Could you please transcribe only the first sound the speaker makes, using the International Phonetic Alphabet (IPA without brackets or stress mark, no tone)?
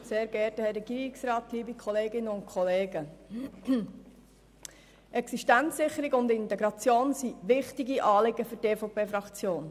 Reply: s